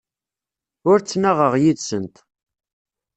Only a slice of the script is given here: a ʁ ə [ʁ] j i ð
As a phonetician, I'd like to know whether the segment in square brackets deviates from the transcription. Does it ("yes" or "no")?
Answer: no